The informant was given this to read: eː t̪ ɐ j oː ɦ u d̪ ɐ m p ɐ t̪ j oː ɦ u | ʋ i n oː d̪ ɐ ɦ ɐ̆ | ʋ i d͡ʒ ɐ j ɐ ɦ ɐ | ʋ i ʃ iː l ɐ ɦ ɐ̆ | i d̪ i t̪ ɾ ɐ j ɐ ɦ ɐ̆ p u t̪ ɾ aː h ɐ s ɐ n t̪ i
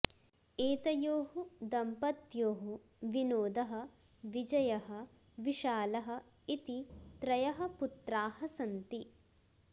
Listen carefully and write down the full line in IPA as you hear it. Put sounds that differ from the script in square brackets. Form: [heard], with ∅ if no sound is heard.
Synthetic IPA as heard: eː t̪ ɐ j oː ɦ u d̪ ɐ m p ɐ t̪ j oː ɦ u | ʋ i n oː d̪ ɐ ɦ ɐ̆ | ʋ i d͡ʒ ɐ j ɐ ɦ ɐ | ʋ i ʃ [aː] l ɐ ɦ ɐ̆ | i [t̪] i t̪ ɾ ɐ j ɐ ɦ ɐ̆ p u t̪ ɾ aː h ɐ s ɐ n t̪ i